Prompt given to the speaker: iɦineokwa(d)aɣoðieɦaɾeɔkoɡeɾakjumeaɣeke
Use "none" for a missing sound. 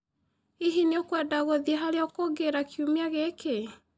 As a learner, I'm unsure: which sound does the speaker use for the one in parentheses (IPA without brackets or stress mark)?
d